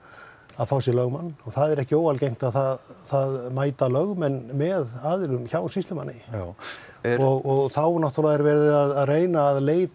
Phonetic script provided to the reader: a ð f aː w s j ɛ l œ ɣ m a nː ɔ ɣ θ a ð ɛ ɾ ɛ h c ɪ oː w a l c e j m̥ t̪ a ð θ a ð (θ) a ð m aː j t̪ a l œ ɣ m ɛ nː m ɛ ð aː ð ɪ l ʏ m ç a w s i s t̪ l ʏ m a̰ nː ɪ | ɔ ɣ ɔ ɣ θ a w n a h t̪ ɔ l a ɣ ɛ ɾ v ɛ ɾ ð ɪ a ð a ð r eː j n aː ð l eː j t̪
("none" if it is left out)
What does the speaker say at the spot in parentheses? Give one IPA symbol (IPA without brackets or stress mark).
θ